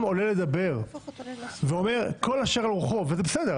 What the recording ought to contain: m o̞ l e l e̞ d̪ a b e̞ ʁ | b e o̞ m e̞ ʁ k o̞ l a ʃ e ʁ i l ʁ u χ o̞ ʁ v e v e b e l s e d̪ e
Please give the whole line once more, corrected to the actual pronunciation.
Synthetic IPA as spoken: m o̞ l e l e̞ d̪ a b e̞ ʁ | v e o̞ m e̞ ʁ k o̞ l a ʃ e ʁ a l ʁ u χ o̞ v e z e b e s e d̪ e